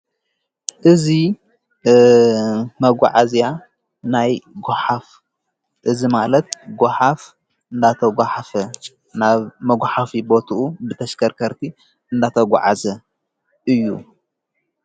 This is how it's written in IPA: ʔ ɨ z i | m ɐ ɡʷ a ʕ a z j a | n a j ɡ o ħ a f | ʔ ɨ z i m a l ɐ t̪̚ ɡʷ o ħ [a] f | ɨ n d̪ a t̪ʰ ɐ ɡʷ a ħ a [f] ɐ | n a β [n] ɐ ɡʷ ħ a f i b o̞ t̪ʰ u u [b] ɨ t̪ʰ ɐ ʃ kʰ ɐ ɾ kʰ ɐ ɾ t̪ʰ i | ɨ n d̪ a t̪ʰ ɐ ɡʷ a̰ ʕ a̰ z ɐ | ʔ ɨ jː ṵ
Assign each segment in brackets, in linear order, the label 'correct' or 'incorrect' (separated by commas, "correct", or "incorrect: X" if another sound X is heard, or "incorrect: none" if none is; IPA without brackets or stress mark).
correct, correct, incorrect: m, correct